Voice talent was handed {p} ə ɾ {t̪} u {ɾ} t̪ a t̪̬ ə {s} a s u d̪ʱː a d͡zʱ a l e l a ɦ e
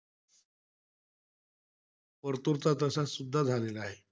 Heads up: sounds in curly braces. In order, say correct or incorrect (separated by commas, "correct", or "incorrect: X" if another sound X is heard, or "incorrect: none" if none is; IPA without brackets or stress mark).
correct, correct, correct, correct